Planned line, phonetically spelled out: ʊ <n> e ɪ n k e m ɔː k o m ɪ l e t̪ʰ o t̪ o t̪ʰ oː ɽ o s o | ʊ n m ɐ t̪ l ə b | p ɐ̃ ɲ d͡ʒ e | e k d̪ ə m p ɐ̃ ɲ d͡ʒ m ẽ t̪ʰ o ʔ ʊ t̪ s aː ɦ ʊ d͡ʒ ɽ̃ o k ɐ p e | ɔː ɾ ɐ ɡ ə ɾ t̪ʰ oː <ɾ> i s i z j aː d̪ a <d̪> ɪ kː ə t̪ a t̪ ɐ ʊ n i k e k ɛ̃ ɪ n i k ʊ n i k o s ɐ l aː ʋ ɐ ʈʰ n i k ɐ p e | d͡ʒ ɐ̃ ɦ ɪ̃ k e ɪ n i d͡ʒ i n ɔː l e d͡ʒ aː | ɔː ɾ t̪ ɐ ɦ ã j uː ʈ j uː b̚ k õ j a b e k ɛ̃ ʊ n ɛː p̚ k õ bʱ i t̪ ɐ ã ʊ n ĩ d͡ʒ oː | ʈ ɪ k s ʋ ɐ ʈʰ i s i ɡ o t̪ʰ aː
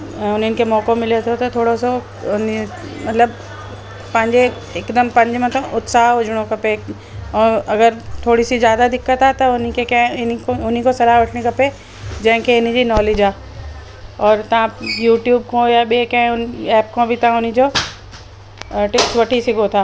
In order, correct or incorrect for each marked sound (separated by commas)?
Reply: correct, incorrect, correct